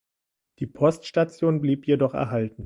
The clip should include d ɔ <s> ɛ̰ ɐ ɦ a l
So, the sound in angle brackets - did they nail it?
no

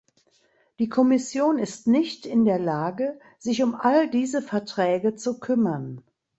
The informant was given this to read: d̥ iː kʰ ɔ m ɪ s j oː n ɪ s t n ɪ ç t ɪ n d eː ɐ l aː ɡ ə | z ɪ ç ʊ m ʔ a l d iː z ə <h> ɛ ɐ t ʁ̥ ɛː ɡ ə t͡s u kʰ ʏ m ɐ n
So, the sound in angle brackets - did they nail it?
no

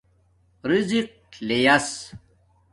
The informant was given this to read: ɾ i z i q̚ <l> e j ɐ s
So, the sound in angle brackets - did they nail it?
yes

